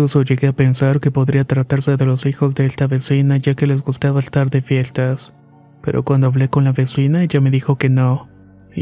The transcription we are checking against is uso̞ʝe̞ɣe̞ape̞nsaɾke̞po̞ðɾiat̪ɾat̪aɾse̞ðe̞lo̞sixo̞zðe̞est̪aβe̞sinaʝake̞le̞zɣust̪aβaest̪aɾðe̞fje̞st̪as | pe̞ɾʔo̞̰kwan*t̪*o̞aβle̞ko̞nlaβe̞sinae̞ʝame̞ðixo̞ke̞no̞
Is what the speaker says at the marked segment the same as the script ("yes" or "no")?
no